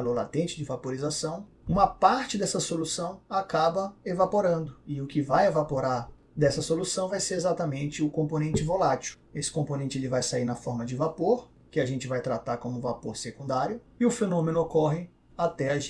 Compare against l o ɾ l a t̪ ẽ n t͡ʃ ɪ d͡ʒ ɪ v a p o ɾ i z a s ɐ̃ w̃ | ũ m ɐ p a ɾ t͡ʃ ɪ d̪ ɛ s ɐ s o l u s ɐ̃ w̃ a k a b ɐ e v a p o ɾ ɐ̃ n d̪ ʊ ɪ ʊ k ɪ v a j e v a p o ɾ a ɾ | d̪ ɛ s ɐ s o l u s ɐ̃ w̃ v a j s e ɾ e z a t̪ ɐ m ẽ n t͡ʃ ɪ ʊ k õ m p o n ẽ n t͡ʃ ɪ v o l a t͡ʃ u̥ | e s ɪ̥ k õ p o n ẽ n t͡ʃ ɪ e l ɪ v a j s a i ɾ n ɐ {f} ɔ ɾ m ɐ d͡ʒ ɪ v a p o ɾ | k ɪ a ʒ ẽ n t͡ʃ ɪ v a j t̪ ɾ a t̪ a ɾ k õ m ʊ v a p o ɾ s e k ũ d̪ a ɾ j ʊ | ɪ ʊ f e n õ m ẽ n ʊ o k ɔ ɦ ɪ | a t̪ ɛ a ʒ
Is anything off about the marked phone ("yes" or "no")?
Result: no